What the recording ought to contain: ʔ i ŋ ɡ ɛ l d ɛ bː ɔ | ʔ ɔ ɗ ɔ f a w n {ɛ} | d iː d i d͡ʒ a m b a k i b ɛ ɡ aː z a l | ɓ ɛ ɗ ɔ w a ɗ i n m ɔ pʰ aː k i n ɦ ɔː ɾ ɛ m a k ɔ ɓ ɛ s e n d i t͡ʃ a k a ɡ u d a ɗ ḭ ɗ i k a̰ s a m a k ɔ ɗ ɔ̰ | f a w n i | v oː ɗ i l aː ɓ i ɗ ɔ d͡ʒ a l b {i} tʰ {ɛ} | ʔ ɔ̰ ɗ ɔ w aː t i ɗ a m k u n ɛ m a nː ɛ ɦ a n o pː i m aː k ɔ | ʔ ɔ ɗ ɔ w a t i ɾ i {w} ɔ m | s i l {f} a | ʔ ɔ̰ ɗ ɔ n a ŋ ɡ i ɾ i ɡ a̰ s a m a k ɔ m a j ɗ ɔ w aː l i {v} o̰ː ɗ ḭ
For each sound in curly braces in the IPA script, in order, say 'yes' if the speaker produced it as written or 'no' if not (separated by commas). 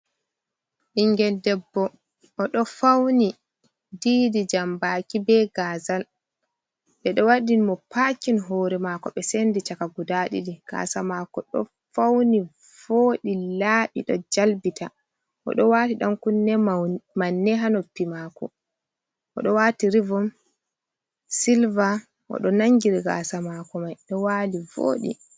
no, yes, no, no, no, yes